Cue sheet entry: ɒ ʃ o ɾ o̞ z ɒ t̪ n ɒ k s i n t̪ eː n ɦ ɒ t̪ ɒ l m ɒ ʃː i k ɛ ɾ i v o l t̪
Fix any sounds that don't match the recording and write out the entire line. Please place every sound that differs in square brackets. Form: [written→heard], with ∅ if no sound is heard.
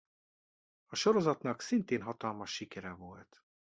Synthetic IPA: ɒ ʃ o ɾ o̞ z ɒ t̪ n ɒ k s i n t̪ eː n ɦ ɒ t̪ ɒ l m ɒ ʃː i k ɛ ɾ [i→ɛ] v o l t̪